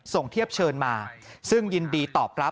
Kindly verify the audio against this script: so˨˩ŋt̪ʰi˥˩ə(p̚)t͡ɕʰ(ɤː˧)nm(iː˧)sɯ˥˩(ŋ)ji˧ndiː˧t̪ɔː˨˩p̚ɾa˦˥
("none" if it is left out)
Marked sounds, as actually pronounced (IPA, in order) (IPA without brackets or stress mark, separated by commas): p̚, ɤː˧, aː˧, ŋ